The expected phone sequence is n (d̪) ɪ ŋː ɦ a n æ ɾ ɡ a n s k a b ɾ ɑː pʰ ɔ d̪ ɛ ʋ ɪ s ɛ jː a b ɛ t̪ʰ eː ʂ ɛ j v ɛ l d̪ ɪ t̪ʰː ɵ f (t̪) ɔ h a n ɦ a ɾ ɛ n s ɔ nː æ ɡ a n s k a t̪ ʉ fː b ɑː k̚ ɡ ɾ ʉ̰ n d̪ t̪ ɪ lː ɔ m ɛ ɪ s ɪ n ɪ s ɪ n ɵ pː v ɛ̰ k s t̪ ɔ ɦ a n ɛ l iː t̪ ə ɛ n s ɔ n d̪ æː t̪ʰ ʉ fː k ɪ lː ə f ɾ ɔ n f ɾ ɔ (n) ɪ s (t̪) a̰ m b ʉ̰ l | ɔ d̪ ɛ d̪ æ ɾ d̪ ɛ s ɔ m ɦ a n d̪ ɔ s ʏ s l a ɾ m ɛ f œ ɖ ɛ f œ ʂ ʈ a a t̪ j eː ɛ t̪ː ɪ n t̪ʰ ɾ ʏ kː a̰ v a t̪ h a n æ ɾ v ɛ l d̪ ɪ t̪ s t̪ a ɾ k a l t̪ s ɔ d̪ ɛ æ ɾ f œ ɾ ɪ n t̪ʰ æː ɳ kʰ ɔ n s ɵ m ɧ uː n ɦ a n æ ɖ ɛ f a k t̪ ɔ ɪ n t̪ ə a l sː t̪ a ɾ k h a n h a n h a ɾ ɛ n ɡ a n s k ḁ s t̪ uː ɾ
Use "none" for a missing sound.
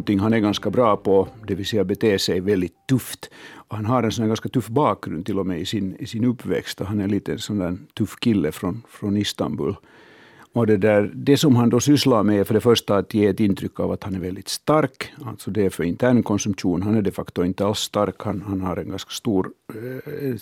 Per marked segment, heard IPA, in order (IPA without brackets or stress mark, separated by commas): t̪, t̪, n, t̪